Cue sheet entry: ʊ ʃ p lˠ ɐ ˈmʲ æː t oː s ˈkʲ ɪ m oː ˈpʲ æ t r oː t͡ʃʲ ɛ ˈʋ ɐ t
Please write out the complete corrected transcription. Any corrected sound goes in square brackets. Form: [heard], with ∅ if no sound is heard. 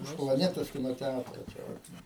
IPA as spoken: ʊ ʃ p lˠ ɐ [ˈnʲ] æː t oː s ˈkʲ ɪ [n] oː [ˈtʲ] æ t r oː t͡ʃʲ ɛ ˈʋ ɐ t